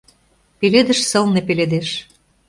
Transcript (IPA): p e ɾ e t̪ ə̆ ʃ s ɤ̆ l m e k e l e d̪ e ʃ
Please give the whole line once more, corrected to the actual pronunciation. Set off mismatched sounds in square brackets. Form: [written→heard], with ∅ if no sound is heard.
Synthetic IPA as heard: p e [ɾ→l] e [t̪→d̪] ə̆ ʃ s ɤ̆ l [m→n] e [k→p] e l e d̪ e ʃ